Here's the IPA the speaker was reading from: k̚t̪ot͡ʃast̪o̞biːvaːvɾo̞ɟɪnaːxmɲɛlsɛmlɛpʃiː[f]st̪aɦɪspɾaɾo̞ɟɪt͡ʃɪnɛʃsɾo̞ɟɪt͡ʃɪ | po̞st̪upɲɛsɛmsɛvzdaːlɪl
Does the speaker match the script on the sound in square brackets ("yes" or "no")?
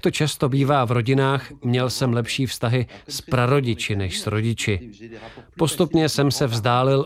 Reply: yes